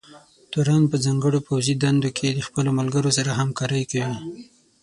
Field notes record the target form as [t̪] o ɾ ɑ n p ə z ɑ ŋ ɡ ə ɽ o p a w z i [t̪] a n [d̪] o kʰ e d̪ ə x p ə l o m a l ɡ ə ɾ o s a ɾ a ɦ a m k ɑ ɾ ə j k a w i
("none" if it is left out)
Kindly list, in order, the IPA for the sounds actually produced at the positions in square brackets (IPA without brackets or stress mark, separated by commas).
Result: t̪, d̪, d̪